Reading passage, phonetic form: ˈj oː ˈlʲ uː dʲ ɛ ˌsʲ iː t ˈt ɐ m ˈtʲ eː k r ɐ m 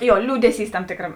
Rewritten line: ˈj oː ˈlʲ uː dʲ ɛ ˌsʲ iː s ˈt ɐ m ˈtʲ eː k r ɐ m